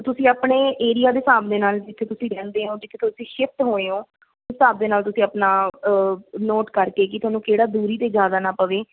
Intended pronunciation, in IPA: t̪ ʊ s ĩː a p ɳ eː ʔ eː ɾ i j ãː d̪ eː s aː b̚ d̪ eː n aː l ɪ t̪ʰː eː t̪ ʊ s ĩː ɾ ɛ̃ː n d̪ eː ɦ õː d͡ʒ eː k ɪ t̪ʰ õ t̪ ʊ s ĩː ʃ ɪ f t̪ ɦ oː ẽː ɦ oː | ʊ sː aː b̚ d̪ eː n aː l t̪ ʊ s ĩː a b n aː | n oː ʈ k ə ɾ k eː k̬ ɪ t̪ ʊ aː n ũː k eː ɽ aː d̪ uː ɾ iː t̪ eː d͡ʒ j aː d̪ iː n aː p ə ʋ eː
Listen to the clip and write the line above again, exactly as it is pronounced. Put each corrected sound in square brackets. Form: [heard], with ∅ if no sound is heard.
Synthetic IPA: t̪ ʊ s ĩː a p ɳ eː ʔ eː ɾ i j [aː] d̪ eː s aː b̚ d̪ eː n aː l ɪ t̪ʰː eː t̪ ʊ s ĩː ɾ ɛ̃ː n d̪ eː ɦ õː d͡ʒ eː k ɪ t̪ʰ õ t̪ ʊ s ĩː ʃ ɪ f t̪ ɦ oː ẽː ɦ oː | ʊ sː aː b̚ d̪ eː n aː l t̪ ʊ s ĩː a [p] n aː | n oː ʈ k ə ɾ k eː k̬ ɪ t̪ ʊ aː n ũː k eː ɽ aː d̪ uː ɾ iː t̪ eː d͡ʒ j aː d̪ [aː] n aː p ə ʋ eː